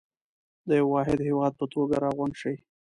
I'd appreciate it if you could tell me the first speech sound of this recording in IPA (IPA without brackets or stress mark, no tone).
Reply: d̪